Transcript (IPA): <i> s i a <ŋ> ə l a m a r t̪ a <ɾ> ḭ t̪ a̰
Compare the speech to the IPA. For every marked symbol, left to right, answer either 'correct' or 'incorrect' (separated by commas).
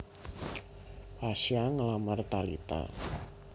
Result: incorrect, correct, incorrect